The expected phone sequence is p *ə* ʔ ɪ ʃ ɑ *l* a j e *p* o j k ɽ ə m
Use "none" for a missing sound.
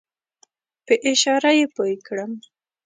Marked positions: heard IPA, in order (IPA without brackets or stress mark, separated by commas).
ə, ɾ, p